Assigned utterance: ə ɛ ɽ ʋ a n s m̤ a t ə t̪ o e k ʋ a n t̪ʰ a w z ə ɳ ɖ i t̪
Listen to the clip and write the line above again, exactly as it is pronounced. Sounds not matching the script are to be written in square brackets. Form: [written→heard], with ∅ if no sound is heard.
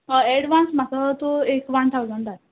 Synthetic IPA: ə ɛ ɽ ʋ a n s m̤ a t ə t̪ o e k ʋ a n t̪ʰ a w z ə ɳ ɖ [i→a] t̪